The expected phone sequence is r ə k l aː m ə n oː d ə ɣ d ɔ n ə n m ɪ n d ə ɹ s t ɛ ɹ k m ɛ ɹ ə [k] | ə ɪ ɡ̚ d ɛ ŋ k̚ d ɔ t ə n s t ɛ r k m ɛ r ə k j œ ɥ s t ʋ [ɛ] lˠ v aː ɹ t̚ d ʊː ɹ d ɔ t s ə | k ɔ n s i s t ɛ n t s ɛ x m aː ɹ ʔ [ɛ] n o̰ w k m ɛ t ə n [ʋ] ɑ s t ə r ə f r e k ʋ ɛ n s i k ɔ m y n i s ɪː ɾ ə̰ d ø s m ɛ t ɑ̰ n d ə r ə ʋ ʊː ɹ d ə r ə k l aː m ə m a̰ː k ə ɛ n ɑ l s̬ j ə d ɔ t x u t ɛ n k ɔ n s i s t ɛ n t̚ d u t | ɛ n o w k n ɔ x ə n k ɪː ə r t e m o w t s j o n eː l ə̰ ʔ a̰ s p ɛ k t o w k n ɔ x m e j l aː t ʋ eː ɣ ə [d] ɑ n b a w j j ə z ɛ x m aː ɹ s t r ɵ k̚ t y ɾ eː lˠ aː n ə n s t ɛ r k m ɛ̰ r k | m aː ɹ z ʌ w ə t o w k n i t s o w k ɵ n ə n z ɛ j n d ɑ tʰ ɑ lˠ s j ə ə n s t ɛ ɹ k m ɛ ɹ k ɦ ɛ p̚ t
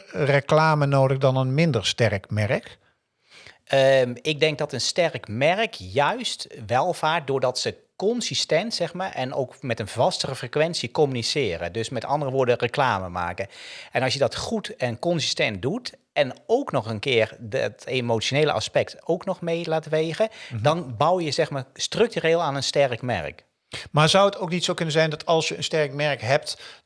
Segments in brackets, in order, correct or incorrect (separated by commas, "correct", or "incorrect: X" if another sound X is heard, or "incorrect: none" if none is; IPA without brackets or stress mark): correct, correct, correct, incorrect: v, correct